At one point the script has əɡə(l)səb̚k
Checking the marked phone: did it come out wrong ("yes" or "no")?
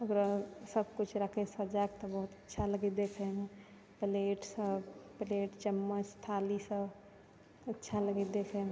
yes